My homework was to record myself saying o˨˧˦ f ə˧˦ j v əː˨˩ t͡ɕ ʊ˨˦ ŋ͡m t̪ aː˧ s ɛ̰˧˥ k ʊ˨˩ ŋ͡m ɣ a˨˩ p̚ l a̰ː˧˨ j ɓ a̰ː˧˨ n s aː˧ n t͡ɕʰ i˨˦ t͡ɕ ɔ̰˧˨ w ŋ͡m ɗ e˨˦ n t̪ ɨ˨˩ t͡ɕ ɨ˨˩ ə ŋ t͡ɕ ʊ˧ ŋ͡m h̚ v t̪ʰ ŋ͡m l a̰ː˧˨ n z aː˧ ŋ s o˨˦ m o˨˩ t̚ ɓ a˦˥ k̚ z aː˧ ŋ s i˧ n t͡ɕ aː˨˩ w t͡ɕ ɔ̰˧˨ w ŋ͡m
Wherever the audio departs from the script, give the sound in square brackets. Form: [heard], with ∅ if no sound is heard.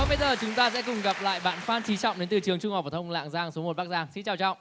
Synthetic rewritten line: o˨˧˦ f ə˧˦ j [z] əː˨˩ t͡ɕ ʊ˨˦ ŋ͡m t̪ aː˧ s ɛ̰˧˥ k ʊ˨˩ ŋ͡m ɣ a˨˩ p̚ l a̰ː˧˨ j ɓ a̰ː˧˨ n [f] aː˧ n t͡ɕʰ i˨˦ t͡ɕ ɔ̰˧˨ w ŋ͡m ɗ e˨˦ n t̪ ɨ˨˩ t͡ɕ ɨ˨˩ ə ŋ t͡ɕ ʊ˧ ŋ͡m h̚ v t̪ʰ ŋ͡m l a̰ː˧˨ [ŋ] z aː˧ ŋ s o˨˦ m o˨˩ t̚ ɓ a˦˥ k̚ z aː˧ ŋ s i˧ n t͡ɕ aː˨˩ w t͡ɕ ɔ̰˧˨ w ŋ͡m